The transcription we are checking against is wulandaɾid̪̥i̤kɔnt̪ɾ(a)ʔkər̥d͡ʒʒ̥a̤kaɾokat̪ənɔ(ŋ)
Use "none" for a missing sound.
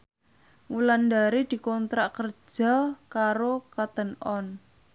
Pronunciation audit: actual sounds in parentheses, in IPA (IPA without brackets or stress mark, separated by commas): a, n